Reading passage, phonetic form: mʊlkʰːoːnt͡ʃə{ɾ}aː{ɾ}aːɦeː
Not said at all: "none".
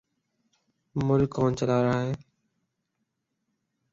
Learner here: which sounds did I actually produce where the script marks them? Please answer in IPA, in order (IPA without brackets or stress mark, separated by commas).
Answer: l, ɾ